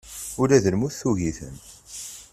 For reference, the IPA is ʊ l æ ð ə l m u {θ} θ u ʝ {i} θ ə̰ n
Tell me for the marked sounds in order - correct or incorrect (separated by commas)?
correct, correct